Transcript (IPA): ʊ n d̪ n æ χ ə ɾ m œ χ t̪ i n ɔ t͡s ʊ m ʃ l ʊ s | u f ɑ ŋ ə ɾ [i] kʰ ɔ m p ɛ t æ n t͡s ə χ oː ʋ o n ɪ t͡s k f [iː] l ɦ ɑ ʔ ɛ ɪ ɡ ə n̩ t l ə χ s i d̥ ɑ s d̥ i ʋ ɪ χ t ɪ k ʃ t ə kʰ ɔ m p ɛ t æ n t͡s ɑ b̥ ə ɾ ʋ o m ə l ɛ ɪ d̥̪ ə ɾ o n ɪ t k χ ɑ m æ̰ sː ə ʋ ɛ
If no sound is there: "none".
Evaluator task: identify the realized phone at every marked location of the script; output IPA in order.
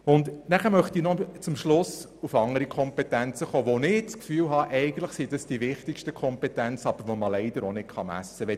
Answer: i, yː

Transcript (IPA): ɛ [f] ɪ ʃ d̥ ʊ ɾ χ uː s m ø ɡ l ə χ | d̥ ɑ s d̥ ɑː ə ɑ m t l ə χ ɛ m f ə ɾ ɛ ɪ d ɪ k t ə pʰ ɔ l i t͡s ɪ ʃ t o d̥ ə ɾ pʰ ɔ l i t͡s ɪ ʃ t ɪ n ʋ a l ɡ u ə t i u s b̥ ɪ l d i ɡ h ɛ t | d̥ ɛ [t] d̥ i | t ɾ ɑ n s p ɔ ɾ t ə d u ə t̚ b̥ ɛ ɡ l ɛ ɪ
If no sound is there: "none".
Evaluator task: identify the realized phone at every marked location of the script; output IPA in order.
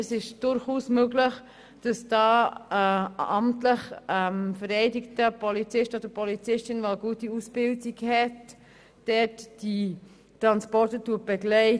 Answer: s, t

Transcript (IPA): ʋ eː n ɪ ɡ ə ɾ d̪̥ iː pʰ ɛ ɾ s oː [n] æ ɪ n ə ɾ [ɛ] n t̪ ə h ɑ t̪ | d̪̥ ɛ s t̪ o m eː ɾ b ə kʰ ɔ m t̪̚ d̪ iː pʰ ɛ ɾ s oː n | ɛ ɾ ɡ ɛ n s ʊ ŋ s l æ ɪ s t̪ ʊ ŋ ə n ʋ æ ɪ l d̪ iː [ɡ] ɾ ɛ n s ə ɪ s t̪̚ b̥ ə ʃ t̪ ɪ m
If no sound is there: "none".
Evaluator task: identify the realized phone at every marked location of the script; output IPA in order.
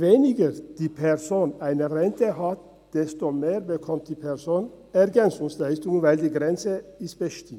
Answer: n, ɛ, ɡ

